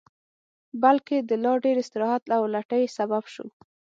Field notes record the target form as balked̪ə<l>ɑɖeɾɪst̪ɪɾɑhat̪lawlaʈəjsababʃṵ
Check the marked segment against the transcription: correct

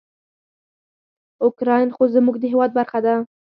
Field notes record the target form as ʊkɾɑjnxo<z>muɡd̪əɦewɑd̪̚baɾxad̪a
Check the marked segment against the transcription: correct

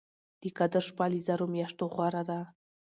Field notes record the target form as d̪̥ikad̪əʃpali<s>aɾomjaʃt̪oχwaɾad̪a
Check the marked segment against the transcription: incorrect: z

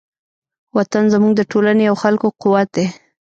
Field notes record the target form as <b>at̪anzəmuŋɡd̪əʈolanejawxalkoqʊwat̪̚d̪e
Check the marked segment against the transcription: incorrect: w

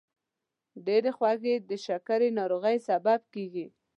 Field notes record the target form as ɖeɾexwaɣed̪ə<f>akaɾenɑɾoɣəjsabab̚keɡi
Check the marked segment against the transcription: incorrect: ʃ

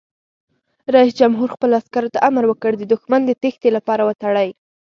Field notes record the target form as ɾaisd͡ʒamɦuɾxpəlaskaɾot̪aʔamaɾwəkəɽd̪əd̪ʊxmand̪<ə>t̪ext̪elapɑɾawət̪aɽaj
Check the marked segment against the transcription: correct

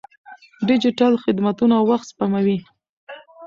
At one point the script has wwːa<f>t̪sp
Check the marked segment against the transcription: incorrect: x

